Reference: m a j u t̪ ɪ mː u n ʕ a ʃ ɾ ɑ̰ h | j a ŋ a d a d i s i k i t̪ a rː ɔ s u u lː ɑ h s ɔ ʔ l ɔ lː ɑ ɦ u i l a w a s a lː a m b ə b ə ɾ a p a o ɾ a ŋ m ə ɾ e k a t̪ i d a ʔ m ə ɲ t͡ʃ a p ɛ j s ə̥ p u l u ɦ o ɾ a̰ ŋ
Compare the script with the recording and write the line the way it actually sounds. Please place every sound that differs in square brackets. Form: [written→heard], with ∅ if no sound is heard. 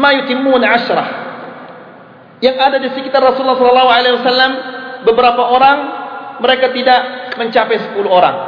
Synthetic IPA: m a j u t̪ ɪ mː u n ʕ a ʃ ɾ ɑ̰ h | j a ŋ a d a d i s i k i t̪ a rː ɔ s u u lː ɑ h s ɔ [ʔ→∅] l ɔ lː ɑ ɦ u [i→a] l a w a s a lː a m b ə b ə ɾ a p a o ɾ a ŋ m ə ɾ e k a t̪ i d a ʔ m ə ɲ t͡ʃ a p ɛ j s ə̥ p u l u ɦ o ɾ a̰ ŋ